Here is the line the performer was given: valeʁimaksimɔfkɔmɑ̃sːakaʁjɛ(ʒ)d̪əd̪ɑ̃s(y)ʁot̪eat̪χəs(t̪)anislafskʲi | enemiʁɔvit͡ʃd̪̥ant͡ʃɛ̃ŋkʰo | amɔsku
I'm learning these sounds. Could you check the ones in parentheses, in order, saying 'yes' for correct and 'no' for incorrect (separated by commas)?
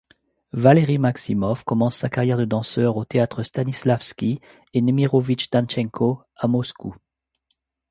no, no, yes